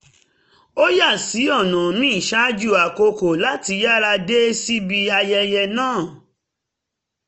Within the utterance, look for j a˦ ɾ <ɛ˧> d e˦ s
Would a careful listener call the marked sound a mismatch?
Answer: yes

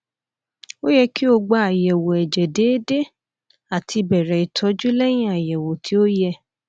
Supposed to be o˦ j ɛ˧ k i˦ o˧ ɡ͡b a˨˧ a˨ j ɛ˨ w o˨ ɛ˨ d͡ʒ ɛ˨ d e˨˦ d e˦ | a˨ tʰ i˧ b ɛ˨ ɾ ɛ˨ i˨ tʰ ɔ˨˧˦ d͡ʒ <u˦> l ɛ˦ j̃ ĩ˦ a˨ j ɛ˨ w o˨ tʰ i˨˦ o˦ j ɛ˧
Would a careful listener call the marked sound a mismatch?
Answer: no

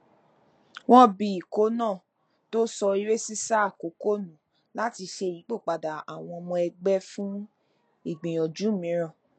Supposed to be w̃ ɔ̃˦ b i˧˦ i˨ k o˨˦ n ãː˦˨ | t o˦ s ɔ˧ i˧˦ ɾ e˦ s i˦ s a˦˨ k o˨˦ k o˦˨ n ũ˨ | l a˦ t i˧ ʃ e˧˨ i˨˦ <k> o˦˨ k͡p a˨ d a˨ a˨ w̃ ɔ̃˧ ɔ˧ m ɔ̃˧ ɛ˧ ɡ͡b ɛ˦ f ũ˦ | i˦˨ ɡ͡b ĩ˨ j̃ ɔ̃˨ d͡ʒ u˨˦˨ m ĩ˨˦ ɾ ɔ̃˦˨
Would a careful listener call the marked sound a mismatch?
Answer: yes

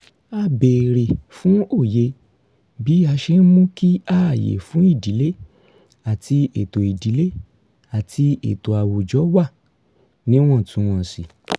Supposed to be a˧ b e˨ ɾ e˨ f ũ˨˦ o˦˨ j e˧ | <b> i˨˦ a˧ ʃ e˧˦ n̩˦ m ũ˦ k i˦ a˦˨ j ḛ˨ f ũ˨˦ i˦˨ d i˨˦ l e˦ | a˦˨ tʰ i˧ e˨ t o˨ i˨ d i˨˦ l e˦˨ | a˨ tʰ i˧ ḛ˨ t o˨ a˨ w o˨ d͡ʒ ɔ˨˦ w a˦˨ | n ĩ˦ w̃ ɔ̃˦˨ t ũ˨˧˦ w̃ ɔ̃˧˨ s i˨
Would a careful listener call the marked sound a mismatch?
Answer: no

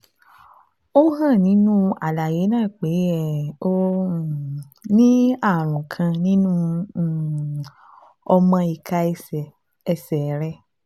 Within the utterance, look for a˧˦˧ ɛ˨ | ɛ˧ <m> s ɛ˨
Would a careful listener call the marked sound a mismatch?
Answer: yes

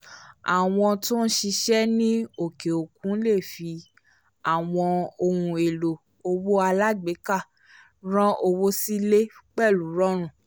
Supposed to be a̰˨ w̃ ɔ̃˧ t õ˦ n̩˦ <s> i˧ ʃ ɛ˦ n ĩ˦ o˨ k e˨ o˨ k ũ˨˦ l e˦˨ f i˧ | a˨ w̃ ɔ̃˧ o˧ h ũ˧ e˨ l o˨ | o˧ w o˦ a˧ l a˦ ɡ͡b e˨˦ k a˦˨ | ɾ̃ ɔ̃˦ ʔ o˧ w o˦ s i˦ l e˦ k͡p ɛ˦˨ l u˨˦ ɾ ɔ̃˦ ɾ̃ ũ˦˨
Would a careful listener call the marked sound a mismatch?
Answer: yes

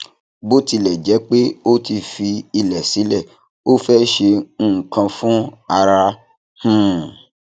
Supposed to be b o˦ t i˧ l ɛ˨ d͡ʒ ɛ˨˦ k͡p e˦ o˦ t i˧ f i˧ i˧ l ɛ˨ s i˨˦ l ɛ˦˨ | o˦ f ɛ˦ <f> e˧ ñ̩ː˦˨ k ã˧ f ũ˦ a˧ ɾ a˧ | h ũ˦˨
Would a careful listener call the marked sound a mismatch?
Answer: yes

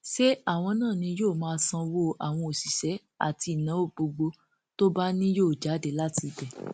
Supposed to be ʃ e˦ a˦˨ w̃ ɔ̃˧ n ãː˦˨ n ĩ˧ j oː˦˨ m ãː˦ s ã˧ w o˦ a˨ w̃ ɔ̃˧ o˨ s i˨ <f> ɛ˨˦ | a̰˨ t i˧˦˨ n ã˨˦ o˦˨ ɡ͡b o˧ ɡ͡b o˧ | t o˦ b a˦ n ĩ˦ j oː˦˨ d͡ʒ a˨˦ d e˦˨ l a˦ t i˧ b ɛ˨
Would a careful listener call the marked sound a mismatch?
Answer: yes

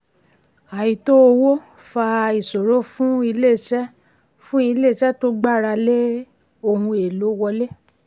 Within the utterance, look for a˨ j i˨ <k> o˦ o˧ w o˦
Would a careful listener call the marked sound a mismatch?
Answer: yes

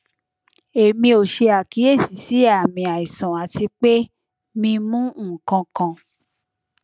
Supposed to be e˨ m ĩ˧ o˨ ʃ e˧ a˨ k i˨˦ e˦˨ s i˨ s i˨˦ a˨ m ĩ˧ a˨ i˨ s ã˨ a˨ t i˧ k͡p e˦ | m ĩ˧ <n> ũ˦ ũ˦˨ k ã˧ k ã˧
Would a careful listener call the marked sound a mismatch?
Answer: yes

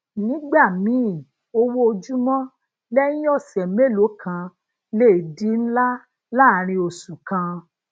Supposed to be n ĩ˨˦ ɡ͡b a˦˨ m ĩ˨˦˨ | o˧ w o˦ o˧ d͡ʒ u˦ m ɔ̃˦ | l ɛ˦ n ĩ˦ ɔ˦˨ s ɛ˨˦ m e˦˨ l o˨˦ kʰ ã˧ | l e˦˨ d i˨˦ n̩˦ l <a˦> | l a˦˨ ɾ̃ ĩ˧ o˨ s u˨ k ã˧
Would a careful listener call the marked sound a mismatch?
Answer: no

